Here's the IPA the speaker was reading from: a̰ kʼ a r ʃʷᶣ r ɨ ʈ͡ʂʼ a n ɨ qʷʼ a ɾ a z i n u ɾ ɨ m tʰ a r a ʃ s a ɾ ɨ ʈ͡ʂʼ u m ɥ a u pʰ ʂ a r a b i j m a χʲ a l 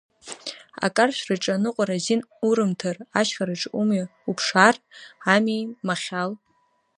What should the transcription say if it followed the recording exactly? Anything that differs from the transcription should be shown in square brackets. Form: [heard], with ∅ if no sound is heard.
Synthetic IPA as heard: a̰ kʼ a r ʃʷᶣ r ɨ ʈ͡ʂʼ a n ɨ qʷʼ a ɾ a z i n u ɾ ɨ m tʰ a r a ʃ [χ] a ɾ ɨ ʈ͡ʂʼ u m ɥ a u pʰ ʂ a r a [m] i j m a χʲ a l